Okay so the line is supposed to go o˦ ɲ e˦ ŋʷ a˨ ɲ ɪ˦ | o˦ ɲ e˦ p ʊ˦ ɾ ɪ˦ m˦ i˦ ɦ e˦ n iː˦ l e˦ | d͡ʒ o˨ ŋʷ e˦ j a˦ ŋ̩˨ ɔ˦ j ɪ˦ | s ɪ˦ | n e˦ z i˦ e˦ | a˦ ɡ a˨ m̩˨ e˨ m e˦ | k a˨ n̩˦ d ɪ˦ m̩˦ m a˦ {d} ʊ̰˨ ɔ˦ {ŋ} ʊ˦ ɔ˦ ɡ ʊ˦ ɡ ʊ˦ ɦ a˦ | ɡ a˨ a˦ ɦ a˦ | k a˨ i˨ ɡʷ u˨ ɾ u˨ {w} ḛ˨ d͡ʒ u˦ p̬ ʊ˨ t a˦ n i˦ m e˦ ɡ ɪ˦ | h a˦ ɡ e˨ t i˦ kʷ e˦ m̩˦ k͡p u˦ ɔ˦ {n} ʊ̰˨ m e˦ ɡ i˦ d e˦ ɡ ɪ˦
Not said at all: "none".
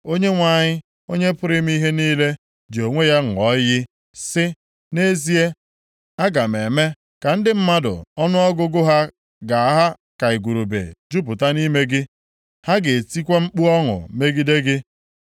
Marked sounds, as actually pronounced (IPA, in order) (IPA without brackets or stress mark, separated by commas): d, n, b, ŋ